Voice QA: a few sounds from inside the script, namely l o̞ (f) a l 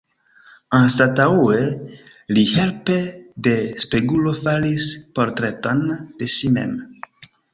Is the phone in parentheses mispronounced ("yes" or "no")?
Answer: no